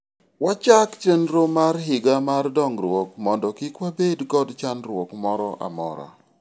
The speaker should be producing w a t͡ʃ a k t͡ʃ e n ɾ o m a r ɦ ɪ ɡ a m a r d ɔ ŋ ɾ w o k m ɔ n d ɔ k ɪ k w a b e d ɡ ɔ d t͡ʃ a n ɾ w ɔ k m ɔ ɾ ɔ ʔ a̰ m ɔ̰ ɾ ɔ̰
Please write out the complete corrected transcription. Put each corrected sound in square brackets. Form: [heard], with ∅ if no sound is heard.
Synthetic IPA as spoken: w a t͡ʃ a k t͡ʃ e n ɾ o m a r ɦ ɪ ɡ a m a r d ɔ ŋ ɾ w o k m ɔ n d ɔ k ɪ k w a b e d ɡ ɔ d t͡ʃ a n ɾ w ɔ k m ɔ ɾ ɔ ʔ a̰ m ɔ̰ ɾ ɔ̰